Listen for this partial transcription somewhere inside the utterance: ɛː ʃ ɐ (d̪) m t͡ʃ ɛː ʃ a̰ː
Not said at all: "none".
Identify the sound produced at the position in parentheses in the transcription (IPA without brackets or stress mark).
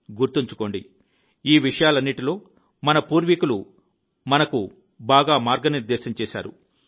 none